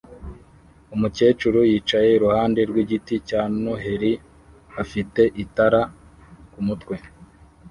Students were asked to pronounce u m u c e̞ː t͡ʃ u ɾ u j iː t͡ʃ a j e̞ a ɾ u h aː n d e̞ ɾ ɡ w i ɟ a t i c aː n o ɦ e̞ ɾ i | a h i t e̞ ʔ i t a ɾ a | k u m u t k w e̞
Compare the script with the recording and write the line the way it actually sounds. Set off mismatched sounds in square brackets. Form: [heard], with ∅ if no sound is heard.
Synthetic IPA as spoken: u m u c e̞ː t͡ʃ u ɾ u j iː t͡ʃ a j e̞ [i] ɾ u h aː n d e̞ ɾ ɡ w i ɟ [i] t i c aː n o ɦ e̞ ɾ i | a [f] i t e̞ ʔ i t a ɾ a | k u m u t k w e̞